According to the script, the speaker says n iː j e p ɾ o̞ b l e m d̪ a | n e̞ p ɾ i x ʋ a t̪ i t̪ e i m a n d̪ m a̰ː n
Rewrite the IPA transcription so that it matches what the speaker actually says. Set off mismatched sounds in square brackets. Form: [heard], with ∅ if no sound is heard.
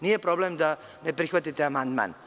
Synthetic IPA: n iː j e p ɾ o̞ b l e m d̪ a | n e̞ p ɾ i x ʋ a t̪ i t̪ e [a] m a n d̪ m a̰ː n